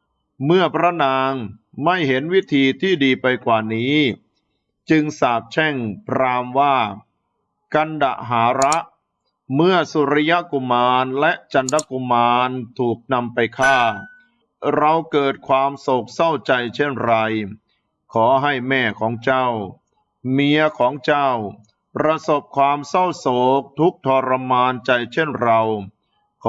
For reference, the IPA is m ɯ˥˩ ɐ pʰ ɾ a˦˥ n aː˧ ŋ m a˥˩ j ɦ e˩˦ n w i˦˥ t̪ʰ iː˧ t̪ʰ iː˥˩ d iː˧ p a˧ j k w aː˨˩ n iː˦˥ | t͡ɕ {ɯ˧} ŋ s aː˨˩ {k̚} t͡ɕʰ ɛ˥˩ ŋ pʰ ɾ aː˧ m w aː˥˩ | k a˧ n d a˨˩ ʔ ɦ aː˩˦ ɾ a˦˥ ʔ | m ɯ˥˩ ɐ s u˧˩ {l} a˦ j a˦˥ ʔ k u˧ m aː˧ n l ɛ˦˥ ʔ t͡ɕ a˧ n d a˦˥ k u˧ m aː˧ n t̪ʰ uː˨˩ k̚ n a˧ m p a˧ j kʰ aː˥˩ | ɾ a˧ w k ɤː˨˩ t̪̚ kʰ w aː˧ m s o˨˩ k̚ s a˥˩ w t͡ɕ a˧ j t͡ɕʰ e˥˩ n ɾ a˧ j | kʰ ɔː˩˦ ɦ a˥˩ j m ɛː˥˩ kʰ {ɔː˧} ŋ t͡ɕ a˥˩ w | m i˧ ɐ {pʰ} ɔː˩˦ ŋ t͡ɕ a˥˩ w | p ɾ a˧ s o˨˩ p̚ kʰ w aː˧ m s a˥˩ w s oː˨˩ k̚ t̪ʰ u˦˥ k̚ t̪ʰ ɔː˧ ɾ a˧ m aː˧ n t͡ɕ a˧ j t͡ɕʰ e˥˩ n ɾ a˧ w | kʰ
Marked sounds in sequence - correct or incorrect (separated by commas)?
correct, incorrect, incorrect, incorrect, incorrect